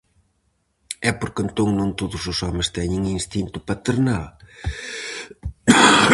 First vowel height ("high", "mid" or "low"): mid